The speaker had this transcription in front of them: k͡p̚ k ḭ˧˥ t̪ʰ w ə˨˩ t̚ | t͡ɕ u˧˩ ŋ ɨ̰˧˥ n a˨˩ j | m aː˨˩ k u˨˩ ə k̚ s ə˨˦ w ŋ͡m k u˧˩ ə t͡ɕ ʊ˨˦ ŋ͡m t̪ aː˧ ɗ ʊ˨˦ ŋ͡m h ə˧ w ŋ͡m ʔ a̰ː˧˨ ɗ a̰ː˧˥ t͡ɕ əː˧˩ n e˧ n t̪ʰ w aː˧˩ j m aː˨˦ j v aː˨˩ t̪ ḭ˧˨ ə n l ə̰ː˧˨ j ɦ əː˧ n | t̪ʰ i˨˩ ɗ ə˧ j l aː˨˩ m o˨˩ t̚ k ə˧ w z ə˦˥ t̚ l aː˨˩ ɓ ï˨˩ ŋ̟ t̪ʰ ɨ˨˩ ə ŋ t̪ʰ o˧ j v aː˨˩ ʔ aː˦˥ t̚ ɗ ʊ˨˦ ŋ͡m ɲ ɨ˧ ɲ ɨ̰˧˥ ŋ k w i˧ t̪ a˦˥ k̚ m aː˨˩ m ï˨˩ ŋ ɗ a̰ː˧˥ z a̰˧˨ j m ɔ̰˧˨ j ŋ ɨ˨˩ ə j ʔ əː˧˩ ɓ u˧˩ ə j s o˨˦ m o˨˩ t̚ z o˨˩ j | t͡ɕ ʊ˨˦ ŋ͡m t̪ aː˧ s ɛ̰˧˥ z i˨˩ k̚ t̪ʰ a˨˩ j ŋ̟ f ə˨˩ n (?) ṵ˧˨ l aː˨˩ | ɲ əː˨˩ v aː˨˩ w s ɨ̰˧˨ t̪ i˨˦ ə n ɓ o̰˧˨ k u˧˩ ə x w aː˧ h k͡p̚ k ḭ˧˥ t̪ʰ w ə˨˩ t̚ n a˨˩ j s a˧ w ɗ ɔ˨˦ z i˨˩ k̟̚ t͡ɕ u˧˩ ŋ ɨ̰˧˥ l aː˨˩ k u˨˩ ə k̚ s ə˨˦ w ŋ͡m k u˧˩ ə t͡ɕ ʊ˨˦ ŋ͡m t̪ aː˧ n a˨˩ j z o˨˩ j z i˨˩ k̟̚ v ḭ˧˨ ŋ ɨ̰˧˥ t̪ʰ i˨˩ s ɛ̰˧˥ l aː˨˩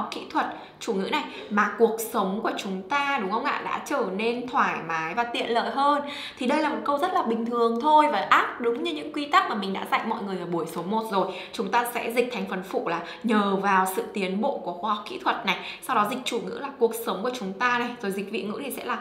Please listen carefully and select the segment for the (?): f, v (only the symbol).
f